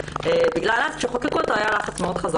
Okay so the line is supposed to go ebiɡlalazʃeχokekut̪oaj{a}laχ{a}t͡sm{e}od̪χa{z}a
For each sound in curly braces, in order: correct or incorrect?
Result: correct, correct, correct, correct

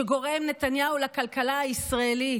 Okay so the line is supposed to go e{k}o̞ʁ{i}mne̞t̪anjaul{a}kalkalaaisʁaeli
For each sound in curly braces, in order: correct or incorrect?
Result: incorrect: ɡ, incorrect: e, correct

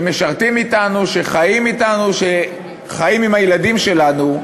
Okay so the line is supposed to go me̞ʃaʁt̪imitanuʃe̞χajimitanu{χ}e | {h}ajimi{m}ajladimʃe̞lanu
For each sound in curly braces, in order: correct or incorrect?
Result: incorrect: ʃ, incorrect: χ, correct

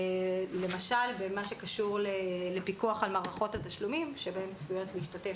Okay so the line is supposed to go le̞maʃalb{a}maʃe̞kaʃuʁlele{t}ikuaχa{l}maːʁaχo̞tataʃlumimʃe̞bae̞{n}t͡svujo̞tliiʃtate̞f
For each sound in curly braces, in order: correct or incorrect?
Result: incorrect: e, incorrect: p, correct, incorrect: m

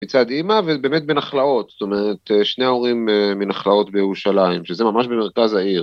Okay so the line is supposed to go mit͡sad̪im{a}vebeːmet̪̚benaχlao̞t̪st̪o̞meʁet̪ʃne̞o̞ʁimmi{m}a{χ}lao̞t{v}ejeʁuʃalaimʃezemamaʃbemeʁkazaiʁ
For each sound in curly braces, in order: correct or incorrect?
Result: correct, incorrect: n, correct, incorrect: b

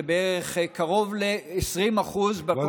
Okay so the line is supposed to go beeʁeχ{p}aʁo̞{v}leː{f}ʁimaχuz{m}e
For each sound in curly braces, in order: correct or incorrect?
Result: incorrect: k, correct, incorrect: s, incorrect: b

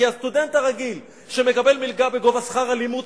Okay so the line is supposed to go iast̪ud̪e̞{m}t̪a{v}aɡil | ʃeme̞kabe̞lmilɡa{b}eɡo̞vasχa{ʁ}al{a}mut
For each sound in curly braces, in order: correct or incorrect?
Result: incorrect: n, incorrect: ʁ, correct, correct, incorrect: i

